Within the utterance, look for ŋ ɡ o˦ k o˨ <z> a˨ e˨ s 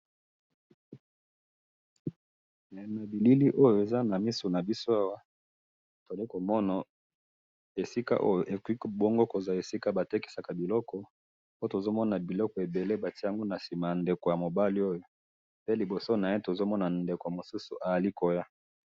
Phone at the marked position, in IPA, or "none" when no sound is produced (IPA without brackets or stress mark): z